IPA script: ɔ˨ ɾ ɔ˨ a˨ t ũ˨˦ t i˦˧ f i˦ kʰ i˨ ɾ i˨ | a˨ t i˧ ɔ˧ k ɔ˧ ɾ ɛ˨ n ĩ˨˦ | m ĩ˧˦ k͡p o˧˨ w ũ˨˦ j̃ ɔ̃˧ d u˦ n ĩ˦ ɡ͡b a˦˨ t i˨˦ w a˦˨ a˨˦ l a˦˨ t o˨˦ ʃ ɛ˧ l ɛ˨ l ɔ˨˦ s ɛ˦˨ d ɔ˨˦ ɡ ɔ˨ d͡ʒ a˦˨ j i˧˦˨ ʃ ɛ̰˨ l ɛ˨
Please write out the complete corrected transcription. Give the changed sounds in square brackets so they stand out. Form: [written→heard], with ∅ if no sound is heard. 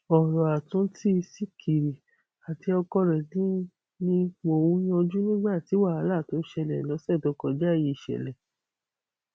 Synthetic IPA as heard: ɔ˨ ɾ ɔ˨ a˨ t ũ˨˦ t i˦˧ [f→s] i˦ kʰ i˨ ɾ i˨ | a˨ t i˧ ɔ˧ k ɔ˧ ɾ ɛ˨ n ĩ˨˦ | [m→n] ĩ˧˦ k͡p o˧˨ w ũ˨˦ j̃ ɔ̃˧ [d→d͡ʒ] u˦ n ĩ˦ ɡ͡b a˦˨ t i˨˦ w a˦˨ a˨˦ l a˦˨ t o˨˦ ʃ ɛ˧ l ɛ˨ l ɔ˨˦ s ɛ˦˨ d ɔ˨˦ [ɡ→k] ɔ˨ d͡ʒ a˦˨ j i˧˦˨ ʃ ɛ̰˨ l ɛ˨

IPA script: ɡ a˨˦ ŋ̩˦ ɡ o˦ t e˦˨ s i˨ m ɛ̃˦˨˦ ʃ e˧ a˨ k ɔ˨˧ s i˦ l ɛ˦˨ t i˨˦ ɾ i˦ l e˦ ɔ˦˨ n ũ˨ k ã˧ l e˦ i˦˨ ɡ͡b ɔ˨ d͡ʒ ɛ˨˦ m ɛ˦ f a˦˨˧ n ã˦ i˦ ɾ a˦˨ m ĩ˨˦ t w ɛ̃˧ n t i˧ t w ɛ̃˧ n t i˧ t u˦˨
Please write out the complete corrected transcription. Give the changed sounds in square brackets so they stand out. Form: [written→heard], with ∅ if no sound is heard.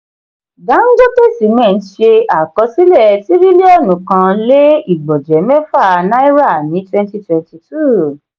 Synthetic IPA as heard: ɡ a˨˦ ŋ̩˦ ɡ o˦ t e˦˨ s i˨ m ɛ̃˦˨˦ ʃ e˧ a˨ k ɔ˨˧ s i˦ l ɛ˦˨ t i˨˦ ɾ i˦ l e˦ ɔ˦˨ n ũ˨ k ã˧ l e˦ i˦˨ ɡ͡b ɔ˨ d͡ʒ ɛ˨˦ m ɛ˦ f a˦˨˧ n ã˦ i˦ ɾ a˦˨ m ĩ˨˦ t w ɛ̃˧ n t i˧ t w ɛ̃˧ n t i˧ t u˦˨

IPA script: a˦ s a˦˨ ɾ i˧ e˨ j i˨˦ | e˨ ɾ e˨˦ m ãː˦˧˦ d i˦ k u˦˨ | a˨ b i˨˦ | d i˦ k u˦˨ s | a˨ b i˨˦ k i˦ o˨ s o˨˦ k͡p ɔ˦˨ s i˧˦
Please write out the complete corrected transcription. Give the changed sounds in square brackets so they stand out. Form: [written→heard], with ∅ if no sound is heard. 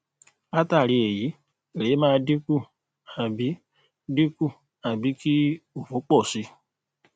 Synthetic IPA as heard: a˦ [s→t] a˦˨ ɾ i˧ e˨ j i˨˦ | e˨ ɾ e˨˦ m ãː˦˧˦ d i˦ k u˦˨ | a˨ b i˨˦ | d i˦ k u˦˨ [s→∅] | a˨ b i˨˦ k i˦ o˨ [s→f] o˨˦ k͡p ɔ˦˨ s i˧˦

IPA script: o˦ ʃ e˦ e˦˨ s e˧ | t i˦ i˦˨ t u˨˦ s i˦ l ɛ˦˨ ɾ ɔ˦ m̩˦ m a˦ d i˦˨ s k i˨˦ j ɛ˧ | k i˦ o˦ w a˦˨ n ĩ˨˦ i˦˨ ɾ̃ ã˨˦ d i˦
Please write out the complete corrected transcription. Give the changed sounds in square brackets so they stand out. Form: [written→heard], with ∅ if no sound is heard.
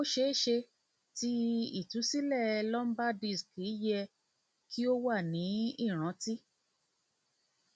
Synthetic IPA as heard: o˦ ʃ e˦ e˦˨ [s→ʃ] e˧ | t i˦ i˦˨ t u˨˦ s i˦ l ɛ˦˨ [ɾ→l] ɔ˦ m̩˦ [m→b] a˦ d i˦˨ s k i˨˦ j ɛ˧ | k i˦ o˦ w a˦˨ n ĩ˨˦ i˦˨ ɾ̃ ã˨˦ [d→t] i˦

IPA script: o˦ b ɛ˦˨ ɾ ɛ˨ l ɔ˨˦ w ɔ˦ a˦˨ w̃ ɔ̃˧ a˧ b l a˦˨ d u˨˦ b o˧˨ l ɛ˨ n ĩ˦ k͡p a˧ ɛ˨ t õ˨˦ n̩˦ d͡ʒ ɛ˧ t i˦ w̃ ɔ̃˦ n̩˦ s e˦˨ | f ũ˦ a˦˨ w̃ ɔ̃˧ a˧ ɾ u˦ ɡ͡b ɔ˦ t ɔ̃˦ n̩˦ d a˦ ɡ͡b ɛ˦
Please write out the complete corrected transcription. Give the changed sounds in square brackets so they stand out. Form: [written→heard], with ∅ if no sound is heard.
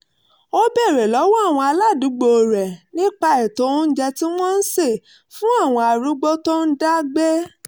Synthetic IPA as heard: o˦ b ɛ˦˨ ɾ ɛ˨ l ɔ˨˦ w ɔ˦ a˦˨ w̃ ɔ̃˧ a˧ [b→∅] l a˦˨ d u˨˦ [b→ɡ͡b] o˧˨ [l→ɾ] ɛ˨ n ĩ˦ k͡p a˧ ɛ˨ t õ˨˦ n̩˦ d͡ʒ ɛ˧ t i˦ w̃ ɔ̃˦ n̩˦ s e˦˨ | f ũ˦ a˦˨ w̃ ɔ̃˧ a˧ ɾ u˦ ɡ͡b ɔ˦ t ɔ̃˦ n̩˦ d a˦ ɡ͡b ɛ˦

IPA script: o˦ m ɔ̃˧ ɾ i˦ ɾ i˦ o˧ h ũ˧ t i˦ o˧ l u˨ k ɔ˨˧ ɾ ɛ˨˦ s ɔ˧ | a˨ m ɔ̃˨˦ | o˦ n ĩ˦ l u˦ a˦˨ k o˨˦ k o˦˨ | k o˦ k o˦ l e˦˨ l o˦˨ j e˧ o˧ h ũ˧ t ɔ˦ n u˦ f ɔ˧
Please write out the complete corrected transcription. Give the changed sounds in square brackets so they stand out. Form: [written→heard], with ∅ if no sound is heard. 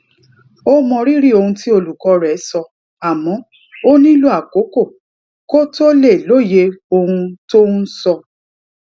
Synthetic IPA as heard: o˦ m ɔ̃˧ ɾ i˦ ɾ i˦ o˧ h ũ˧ t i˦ o˧ l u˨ k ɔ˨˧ ɾ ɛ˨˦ s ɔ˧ | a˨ m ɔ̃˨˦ | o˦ n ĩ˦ l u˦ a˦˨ k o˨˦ k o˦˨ | k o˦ [k→t] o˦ l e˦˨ l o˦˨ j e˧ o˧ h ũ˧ t [ɔ˦→o˦] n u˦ [f→s] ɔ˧

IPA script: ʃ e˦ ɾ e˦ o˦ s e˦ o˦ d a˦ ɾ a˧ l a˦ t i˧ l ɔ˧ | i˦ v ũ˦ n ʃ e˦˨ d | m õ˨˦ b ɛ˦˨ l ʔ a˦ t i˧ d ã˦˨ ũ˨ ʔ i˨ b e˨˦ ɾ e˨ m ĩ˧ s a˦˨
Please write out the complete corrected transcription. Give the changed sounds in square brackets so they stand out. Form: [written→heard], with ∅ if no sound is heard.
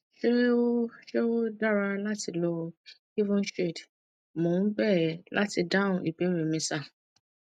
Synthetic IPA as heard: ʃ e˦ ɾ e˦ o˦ [s→ʃ] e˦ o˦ d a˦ ɾ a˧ l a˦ t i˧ l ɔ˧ | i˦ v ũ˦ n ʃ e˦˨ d | m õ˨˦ b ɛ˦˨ l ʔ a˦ t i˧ d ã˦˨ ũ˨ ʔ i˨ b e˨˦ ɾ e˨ m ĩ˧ s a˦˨

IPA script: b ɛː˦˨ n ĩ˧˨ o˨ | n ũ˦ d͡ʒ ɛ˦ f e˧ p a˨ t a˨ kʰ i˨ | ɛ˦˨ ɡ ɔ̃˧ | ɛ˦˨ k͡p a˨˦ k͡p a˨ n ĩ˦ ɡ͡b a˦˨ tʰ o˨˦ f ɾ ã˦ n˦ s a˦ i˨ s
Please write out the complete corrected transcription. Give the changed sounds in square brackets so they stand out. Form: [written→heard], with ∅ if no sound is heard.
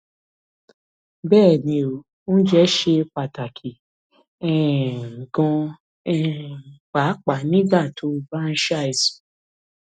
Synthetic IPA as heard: b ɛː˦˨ n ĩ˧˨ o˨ | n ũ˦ d͡ʒ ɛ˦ [f→ʃ] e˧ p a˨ t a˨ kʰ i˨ | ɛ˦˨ ɡ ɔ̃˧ | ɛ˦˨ k͡p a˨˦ k͡p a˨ n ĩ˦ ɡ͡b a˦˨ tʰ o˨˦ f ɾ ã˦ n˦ [s→ʃ] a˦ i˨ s

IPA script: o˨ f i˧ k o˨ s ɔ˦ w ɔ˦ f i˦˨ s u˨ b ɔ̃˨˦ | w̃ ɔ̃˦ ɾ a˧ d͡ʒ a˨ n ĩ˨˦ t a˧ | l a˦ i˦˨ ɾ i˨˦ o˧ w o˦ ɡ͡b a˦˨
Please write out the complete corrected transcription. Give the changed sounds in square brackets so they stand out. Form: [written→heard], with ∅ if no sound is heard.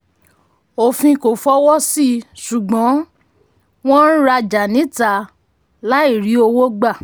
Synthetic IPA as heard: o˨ f [i˧→ĩ˧] k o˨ [s→f] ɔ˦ w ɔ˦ [f→s] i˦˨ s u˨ [b→ɡ͡b] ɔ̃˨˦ | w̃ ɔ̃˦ ɾ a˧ d͡ʒ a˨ n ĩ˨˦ t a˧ | l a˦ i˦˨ ɾ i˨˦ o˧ w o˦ ɡ͡b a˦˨

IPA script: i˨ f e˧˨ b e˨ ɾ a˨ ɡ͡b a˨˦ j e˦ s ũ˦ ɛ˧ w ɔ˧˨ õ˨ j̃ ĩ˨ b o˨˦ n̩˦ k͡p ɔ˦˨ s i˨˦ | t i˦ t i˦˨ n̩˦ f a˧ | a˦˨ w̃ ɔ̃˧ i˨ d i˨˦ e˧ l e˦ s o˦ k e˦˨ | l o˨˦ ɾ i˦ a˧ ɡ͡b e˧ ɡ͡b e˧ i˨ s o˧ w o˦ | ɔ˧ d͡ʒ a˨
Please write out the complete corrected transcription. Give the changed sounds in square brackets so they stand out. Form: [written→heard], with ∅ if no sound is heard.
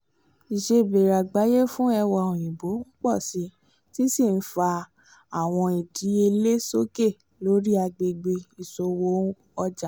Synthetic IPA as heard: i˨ [f→ʃ] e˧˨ b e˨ ɾ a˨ ɡ͡b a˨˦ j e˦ [s→f] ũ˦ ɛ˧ w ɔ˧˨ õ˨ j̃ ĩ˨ b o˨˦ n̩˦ k͡p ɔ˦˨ s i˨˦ | t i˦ [t→s] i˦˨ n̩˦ f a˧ | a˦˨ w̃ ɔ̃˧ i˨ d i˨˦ e˧ l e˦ s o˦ k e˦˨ | l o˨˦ ɾ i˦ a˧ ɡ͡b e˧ ɡ͡b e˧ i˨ s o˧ w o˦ | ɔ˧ d͡ʒ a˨

